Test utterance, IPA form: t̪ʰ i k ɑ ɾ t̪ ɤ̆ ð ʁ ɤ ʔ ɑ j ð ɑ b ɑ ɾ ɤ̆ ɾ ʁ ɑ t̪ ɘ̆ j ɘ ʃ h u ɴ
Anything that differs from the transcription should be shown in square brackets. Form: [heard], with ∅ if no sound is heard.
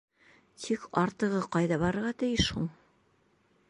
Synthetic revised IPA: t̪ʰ i k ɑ ɾ t̪ ɤ̆ [∅] ʁ ɤ [q] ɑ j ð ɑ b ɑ ɾ ɤ̆ ɾ ʁ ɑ t̪ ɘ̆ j ɘ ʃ h u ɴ